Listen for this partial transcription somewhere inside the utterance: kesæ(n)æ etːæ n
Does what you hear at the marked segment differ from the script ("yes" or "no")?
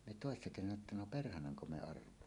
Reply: no